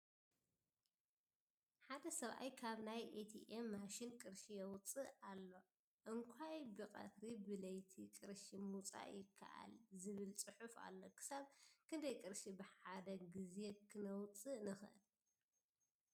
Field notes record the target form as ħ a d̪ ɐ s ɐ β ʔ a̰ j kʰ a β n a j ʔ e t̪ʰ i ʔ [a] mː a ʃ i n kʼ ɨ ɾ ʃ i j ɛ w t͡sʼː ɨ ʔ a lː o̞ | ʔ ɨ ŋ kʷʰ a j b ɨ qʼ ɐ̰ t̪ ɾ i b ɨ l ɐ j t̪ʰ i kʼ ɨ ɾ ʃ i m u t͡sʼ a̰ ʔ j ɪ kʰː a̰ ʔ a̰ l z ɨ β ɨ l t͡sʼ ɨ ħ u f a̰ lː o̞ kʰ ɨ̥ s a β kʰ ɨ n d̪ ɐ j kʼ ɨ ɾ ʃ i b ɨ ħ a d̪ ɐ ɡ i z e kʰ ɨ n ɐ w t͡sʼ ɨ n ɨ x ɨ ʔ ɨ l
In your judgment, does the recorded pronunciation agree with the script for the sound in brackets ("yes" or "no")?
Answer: no